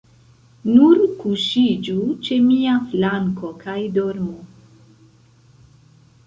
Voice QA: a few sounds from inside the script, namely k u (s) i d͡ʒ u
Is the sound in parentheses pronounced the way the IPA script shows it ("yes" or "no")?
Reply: no